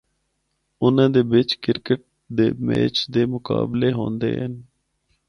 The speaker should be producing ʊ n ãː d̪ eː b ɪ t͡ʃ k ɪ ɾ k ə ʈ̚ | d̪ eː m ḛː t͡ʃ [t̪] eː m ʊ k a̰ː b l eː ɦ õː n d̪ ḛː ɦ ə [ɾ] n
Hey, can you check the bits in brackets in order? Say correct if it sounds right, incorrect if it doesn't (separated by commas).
incorrect, incorrect